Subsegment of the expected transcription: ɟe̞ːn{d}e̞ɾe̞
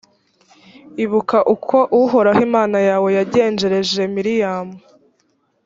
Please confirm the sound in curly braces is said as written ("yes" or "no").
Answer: no